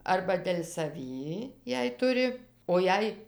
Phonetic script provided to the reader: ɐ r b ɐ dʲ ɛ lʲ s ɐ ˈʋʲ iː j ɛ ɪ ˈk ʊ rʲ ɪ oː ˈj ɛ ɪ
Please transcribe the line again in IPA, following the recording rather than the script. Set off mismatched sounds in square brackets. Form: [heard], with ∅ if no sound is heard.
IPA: ɐ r b ɐ dʲ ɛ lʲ s ɐ ˈʋʲ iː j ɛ ɪ [ˈt] ʊ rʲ ɪ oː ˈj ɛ ɪ